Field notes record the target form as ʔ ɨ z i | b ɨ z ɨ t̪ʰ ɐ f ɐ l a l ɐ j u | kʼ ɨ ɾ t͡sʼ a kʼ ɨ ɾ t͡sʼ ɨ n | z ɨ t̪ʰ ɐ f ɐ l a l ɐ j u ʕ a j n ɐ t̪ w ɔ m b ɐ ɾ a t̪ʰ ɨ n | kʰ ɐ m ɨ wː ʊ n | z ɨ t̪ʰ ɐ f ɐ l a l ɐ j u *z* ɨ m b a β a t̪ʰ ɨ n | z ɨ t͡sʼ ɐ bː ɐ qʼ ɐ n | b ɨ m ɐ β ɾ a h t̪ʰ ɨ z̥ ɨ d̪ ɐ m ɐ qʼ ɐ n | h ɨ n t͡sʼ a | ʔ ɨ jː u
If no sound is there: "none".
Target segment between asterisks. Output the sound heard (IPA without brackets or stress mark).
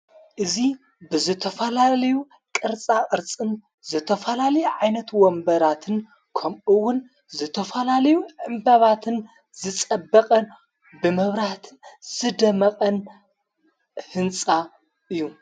ʕ